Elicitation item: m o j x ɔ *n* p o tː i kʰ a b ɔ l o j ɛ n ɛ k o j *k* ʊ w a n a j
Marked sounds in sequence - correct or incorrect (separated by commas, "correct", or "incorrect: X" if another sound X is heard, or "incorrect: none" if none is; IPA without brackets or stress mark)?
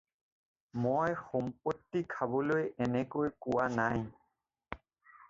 incorrect: m, correct